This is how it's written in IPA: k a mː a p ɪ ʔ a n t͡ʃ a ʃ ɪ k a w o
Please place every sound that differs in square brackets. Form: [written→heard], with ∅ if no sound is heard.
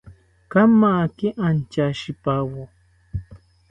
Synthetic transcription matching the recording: k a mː a [p→k] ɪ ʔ a n t͡ʃ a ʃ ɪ [k→p] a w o

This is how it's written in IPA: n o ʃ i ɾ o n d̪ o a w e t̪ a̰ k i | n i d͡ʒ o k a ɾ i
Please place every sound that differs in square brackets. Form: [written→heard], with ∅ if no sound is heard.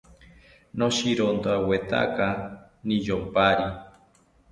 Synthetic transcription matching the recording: n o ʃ i ɾ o n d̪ o a w e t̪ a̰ k [i→a] | n i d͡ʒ o [k→p] a ɾ i

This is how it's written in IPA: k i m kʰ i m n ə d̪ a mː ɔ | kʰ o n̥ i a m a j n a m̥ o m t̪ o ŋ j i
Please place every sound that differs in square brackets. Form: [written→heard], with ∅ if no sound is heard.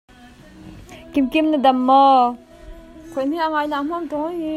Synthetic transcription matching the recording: k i m [kʰ→k] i m n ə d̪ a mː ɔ | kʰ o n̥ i a [m→ŋ] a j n a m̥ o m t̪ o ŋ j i

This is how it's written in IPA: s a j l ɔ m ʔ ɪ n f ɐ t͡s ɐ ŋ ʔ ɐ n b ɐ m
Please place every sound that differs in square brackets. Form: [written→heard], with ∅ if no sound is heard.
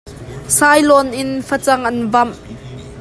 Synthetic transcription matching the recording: s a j l ɔ [m→n] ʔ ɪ n f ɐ t͡s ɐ ŋ ʔ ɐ n [b→v] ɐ m

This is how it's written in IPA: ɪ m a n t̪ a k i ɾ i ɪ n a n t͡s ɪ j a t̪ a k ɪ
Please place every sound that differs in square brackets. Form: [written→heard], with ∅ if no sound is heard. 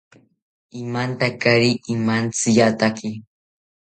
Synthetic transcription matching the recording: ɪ m a n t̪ a k [i→a] ɾ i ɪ [n→m] a n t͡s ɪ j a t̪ a k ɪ

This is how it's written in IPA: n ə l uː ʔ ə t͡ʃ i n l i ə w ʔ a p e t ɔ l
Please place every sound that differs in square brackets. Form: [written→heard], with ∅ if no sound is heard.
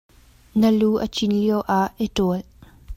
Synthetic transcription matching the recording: n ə l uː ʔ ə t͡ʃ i n l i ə w ʔ a [p→ʔ] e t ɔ l

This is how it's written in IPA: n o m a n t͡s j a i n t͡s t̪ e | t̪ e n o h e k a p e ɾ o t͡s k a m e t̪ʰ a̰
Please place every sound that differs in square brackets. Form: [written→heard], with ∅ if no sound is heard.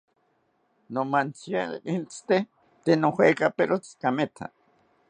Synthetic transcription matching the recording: n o m a n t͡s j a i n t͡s t̪ e | t̪ e n o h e k a p e ɾ o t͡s k a m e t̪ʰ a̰

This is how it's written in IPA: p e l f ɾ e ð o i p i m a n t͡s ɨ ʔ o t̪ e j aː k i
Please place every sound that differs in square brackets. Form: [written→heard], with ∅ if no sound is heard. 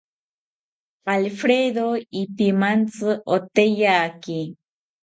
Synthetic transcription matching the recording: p [e→a] l f ɾ e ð o i p i m a n t͡s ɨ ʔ o t̪ e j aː k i

